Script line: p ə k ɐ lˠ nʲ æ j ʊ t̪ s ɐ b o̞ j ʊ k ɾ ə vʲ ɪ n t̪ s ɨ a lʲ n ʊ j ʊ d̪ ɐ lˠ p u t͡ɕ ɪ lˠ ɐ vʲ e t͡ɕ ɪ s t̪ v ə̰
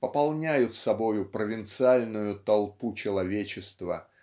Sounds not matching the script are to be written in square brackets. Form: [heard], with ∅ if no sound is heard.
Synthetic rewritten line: p ə [p] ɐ lˠ nʲ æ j ʊ t̪ s ɐ b o̞ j ʊ [p] ɾ ə vʲ ɪ n t̪ s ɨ a lʲ n ʊ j ʊ [t̪] ɐ lˠ p u t͡ɕ ɪ lˠ ɐ vʲ e t͡ɕ ɪ s t̪ v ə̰